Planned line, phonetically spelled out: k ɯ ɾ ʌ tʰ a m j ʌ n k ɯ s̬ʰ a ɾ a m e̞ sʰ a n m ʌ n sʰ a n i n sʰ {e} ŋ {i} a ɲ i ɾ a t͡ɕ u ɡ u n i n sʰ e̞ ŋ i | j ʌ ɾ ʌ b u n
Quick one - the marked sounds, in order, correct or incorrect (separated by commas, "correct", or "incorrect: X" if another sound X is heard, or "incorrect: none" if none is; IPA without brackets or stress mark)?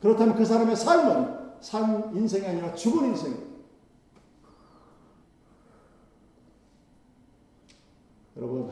correct, correct